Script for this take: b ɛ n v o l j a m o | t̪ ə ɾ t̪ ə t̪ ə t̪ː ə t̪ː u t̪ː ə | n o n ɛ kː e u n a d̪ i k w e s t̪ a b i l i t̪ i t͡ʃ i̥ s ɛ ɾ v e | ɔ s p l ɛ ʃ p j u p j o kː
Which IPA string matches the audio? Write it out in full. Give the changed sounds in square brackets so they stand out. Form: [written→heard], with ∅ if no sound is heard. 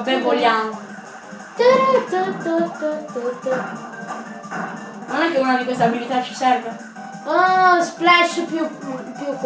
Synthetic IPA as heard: b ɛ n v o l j a m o | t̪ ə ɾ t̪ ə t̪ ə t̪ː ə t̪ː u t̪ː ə | n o n ɛ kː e u n a d̪ i k w e s t̪ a b i l i t̪ [i→a] t͡ʃ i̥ s ɛ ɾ v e | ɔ s p l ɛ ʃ p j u p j [o→u] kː

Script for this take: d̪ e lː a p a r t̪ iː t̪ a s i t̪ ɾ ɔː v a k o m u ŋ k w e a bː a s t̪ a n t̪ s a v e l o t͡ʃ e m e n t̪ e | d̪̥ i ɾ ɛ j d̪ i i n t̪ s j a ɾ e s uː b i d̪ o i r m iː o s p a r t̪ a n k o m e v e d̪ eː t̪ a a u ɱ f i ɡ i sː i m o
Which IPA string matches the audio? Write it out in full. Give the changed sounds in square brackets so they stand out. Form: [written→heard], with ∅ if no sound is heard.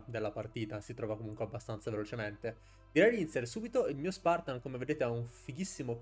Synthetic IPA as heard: d̪ e lː a p a r t̪ iː t̪ a s i t̪ ɾ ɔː v a k o m u ŋ k w e a bː a s t̪ a n t̪ s a v e l o t͡ʃ e m e n t̪ e | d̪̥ i ɾ ɛ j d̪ i i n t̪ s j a ɾ e s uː b i [d̪→t̪] o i [r→l] m iː o s p a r t̪ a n k o m e v e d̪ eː t̪ [a→e] a u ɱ f i ɡ i sː i m o

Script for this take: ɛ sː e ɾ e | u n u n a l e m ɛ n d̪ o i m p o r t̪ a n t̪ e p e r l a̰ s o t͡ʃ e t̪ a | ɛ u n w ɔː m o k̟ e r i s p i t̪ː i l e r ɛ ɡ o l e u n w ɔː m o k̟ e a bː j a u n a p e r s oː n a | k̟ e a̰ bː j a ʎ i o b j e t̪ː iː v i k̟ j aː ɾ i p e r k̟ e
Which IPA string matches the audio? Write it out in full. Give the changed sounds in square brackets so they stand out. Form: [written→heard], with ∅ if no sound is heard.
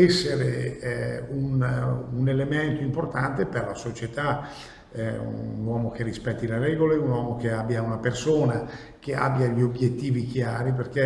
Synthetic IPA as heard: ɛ sː e ɾ e | u n u n [a→e] l e m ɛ n [d̪→t̪] o i m p o r t̪ a n t̪ e p e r l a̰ s o t͡ʃ e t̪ a | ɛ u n w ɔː m o k̟ e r i s p [i→ɛ] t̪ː i l e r ɛ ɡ o l e u n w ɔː m o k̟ e a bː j a u n a p e r s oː n a | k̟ e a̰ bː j a ʎ i o b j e t̪ː iː v i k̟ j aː ɾ i p e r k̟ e

